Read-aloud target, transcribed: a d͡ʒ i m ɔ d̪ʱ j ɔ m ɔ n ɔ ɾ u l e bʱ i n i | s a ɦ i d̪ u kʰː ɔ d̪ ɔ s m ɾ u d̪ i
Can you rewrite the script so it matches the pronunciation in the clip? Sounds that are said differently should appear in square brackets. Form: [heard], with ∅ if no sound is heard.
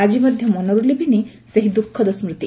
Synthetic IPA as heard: a d͡ʒ i m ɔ d̪ʱ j ɔ m ɔ n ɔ ɾ u l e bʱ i n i | s [e] ɦ i d̪ u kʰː ɔ d̪ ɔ s m ɾ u [t̪] i